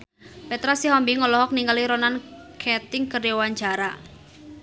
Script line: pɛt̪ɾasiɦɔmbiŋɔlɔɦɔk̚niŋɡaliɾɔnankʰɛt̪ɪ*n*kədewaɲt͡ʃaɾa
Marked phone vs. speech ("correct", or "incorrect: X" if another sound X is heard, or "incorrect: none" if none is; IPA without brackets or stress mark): incorrect: ŋ